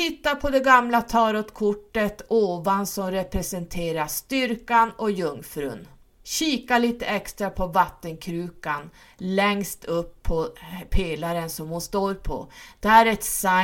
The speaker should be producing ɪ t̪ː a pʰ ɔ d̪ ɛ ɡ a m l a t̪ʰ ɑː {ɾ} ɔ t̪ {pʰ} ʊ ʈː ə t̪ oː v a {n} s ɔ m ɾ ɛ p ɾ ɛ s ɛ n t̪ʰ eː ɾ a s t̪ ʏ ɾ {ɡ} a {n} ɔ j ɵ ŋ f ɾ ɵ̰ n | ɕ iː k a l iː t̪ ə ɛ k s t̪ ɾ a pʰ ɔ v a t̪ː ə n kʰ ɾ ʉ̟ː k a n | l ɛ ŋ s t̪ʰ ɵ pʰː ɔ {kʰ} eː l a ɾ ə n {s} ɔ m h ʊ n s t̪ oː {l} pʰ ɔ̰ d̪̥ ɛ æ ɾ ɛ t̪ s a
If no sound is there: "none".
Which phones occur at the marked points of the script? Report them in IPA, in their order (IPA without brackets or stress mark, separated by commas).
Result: ɾ, kʰ, n, k, n, pʰ, s, ɾ